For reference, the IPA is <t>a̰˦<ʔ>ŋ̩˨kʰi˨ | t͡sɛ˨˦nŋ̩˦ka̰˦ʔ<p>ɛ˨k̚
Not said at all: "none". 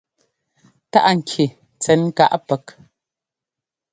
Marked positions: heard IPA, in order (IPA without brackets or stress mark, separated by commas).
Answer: t, ʔ, p